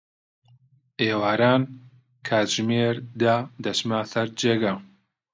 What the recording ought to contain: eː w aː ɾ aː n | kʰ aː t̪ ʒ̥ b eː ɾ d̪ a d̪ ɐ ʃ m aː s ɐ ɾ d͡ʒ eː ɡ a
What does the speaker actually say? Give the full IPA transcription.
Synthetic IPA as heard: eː w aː ɾ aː n | kʰ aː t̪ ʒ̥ m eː ɾ d̪ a d̪ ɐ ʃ m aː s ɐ ɾ d͡ʒ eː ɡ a